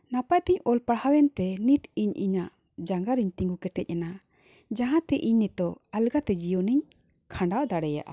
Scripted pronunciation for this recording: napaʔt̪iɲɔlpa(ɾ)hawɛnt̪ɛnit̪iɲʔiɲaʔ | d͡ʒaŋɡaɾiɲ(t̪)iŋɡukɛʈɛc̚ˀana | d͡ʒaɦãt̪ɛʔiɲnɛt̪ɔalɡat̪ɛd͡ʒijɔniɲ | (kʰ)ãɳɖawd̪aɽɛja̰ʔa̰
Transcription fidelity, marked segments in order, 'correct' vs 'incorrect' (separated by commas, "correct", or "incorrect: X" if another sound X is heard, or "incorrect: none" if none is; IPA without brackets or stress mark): incorrect: ɽ, correct, correct